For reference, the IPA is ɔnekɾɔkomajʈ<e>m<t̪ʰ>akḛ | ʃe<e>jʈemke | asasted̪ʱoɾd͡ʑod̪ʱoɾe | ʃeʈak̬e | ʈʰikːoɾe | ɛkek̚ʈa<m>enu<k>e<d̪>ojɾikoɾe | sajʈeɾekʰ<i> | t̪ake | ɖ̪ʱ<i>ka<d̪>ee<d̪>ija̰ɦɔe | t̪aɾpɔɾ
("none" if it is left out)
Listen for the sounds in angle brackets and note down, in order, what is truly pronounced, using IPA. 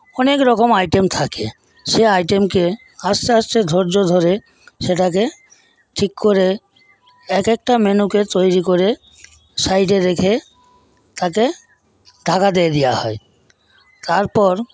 e, t̪ʰ, a, m, k, t̪, e, a, d̪, d̪

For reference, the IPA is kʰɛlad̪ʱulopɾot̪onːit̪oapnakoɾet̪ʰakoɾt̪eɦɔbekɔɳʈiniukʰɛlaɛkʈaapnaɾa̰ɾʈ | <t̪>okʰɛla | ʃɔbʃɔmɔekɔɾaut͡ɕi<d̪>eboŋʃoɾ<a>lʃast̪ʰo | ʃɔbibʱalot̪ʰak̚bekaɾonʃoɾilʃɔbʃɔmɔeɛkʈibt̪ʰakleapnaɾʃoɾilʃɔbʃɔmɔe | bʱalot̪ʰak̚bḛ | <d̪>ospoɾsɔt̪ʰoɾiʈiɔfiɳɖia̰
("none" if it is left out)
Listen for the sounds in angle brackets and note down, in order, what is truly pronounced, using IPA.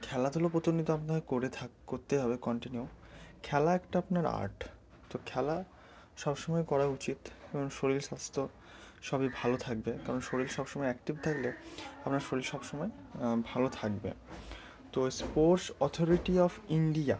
t̪, t̪, i, t̪

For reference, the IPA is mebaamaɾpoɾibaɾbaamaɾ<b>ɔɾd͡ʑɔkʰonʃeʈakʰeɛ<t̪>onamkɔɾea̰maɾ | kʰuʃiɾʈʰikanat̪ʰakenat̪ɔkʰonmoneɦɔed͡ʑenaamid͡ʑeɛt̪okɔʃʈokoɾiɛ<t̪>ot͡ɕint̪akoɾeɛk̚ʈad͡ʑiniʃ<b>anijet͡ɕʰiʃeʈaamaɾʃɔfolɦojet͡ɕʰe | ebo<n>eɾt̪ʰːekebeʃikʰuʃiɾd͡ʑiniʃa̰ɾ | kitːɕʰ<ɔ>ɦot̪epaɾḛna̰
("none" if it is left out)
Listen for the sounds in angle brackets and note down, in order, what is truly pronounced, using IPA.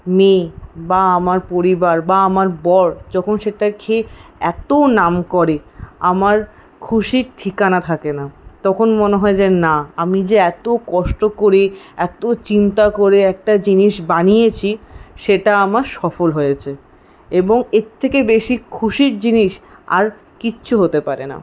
b, t̪, t̪, b, ŋ, u

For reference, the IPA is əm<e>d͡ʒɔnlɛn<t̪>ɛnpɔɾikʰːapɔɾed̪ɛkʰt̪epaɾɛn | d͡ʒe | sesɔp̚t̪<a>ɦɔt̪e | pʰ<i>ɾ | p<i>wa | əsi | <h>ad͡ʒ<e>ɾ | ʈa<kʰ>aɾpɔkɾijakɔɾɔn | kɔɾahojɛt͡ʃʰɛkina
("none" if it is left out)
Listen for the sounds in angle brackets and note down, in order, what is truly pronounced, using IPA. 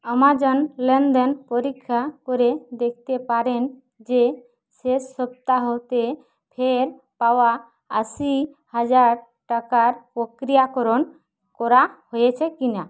a, d̪, a, e, a, h, a, k

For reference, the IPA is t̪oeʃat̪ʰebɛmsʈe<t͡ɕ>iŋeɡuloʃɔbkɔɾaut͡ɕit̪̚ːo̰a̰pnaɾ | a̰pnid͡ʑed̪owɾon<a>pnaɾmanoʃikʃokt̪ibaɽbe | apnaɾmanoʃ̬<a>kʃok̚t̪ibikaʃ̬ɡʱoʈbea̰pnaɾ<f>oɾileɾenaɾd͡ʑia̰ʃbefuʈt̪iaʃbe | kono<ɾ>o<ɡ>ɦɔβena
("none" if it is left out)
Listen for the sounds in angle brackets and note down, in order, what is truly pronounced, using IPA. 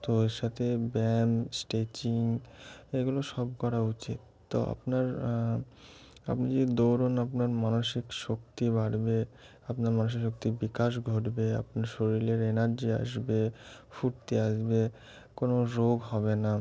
t͡ɕ, a, i, ʃ, ɾ, ɡ

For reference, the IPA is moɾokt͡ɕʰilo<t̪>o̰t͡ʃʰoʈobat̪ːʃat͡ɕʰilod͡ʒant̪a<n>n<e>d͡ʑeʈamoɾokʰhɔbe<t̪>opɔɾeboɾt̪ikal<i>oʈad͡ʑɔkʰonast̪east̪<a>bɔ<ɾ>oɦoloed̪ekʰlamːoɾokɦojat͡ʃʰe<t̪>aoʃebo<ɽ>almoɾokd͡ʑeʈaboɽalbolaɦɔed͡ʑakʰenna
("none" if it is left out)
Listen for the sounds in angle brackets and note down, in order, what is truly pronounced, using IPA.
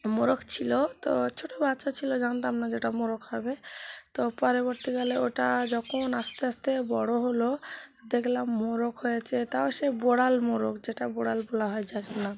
t̪, m, a, t̪, e, e, ɽ, t̪, ɽ

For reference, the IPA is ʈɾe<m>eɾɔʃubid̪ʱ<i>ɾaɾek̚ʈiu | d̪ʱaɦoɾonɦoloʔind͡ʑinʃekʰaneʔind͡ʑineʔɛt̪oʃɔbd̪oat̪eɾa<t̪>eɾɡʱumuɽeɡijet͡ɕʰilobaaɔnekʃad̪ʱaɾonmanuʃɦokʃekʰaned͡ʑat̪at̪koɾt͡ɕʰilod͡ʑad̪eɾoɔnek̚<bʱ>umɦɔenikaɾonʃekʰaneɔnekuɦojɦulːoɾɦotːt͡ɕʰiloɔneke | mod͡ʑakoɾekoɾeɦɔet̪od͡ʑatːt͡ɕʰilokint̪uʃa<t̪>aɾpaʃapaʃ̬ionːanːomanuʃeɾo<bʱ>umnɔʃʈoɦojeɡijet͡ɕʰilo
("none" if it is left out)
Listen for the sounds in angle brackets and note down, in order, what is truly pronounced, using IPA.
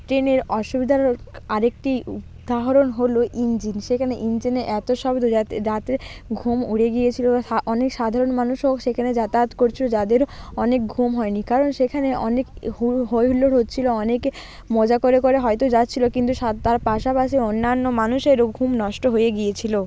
n, a, t̪, ɡʱ, t̪, ɡʱ

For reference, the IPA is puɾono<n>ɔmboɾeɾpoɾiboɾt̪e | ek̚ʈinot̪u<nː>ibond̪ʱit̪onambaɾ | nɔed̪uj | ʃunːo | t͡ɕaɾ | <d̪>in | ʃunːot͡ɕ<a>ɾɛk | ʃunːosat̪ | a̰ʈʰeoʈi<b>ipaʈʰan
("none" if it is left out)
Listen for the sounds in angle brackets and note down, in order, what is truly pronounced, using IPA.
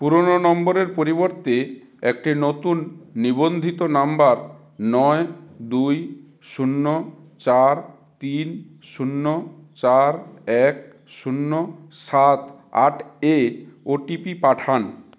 n, nː, t̪, a, p

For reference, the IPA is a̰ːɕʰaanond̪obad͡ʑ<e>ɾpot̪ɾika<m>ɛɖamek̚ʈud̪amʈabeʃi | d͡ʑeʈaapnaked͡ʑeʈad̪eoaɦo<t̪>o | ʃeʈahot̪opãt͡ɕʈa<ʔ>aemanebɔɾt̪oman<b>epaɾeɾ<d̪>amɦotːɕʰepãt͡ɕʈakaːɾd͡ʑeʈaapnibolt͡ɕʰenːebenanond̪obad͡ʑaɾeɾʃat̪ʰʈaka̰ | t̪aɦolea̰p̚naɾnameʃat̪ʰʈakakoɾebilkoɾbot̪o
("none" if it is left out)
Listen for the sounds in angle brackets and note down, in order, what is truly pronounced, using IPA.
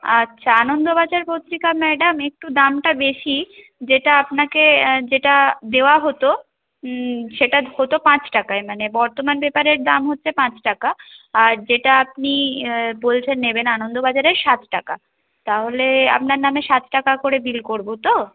a, m, t̪, k, b, d̪

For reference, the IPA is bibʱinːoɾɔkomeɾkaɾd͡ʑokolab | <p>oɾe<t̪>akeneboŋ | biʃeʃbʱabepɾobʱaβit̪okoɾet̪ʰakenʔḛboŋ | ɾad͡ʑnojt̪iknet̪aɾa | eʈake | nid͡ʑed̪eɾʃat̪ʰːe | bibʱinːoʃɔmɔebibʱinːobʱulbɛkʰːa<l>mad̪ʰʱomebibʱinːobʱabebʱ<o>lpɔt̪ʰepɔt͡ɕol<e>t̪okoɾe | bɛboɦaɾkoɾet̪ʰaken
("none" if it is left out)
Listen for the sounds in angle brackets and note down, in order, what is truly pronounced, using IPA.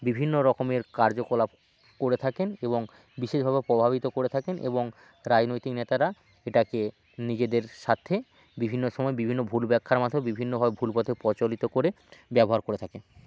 k, t̪ʰ, ɾ, u, i

